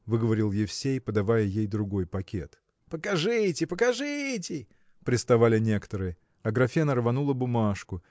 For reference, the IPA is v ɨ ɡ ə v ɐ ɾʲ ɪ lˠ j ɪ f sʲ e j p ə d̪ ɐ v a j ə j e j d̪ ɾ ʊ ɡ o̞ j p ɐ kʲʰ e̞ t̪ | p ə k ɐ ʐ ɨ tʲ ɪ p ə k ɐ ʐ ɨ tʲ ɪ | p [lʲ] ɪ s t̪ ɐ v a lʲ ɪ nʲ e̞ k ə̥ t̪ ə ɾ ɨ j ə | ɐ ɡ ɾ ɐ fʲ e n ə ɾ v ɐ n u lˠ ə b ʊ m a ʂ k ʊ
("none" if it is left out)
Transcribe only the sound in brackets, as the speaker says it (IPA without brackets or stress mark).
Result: ɾʲ